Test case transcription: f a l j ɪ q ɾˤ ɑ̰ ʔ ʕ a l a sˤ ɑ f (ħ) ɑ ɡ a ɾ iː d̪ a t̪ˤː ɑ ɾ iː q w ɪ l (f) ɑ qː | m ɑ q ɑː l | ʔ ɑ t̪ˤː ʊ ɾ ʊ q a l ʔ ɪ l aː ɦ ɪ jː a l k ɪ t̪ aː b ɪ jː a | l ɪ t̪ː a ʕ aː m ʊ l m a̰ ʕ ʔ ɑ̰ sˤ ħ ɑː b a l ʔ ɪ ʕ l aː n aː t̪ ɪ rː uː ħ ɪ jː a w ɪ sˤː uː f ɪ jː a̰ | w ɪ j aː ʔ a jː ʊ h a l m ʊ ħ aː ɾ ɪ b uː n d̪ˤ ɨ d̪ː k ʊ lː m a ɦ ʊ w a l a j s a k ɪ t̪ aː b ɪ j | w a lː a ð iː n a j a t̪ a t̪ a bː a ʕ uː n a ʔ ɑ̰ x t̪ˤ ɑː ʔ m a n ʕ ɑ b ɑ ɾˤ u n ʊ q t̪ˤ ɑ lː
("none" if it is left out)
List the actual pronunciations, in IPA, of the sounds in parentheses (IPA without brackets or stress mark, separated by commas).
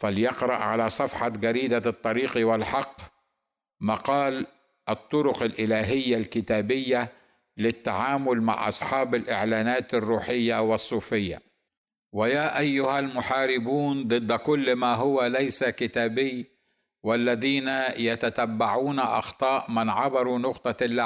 ħ, ħ